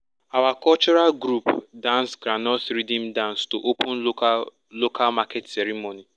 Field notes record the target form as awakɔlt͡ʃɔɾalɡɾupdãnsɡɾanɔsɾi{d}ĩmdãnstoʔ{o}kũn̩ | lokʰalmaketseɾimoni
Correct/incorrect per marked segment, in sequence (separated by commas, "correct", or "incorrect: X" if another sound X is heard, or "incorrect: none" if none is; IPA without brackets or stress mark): correct, correct